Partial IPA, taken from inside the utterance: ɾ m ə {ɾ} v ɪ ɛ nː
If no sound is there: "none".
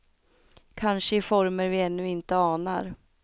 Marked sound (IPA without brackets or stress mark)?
ɾ